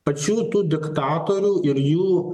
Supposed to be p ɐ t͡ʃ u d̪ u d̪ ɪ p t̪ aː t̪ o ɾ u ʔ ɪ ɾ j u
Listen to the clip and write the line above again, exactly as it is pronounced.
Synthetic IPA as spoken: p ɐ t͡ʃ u t̪ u d̪ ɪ k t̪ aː t̪ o ɾ u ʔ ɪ ɾ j u